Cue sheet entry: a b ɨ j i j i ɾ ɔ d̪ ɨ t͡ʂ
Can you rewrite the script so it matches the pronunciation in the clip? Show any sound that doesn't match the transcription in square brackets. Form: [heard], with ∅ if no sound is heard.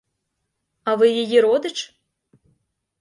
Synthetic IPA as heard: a [v] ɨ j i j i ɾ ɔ d̪ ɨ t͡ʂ